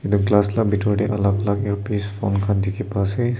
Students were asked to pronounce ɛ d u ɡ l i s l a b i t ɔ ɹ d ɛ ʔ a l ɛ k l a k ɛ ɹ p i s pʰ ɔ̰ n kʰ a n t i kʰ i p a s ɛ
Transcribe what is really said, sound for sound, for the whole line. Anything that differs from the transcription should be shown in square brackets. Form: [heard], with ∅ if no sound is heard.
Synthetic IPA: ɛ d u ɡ l [a] s l a b i t ɔ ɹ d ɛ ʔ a l [a] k l a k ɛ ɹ p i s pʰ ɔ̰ n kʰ a n [d] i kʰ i p a s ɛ